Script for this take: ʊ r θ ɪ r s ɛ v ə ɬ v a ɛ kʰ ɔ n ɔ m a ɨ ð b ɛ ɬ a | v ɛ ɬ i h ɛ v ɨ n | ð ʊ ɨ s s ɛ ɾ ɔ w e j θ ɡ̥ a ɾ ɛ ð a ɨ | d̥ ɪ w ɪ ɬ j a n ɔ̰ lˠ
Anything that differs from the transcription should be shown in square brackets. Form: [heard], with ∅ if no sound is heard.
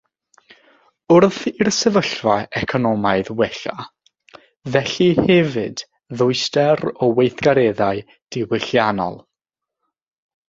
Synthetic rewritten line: ʊ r θ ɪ r s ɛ v ə ɬ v a ɛ kʰ ɔ n ɔ m a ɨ ð [w] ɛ ɬ a | v ɛ ɬ i h ɛ v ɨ [d] | ð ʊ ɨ s [t] ɛ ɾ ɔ w e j θ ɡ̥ a ɾ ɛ ð a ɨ | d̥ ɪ w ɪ ɬ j a n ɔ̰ lˠ